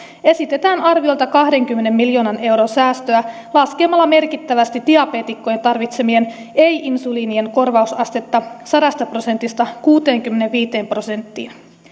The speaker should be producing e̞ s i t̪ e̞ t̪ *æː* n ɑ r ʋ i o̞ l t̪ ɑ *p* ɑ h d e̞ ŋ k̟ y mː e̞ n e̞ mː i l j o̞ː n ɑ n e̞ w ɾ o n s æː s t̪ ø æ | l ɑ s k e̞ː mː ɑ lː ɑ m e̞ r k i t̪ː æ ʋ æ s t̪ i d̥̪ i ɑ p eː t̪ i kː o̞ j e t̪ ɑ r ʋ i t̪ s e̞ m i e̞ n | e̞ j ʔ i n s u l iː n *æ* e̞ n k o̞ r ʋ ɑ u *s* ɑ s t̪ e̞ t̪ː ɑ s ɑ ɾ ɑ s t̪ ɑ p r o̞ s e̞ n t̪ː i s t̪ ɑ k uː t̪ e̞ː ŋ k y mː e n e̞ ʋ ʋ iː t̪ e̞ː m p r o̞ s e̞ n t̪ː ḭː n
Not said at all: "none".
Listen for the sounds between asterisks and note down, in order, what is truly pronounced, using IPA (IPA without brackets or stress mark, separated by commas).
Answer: æː, k, i, s